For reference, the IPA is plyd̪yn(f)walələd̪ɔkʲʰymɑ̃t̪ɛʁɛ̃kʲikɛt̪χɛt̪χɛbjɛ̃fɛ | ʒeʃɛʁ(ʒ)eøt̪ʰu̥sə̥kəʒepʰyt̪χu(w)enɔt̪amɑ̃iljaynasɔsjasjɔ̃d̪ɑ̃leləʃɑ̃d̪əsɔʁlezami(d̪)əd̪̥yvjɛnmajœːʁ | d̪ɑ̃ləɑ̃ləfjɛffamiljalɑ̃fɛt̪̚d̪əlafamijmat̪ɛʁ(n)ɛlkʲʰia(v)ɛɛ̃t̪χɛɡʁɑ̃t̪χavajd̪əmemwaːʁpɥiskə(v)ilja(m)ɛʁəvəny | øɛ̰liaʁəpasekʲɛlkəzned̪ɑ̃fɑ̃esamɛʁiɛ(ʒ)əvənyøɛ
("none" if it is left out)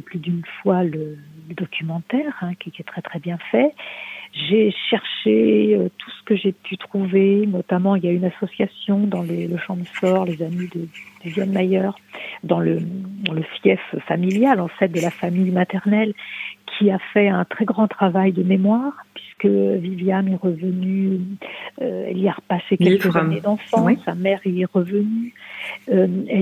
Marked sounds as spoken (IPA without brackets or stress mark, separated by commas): f, ʃ, v, d̪, n, f, v, m, ʁ